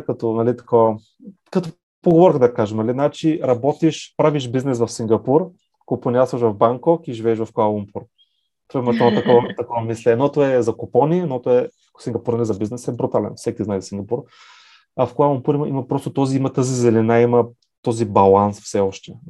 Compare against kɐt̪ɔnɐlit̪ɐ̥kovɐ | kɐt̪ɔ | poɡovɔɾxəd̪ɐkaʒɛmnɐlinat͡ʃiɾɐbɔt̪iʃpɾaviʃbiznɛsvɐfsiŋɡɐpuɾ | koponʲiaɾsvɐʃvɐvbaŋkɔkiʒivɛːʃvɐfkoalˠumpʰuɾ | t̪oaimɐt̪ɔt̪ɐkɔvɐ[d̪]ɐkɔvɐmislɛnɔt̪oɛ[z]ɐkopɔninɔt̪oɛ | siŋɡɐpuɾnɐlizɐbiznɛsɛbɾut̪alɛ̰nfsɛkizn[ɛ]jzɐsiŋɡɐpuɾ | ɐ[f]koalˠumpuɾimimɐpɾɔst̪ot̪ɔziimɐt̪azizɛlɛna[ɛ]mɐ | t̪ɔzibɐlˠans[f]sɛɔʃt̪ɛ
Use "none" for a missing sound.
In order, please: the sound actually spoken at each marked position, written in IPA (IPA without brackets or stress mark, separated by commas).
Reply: t̪, z, a, f, i, f